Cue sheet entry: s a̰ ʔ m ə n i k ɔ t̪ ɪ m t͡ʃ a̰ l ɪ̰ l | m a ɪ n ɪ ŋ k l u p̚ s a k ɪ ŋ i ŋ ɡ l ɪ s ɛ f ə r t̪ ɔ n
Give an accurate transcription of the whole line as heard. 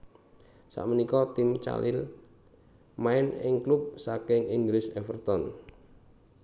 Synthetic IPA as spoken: s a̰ ʔ m ə n i k ɔ t̪ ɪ m t͡ʃ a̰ l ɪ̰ l | m a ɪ n ɪ ŋ k l u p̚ s a k ɪ ŋ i ŋ ɡ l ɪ s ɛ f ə r t̪ ɔ n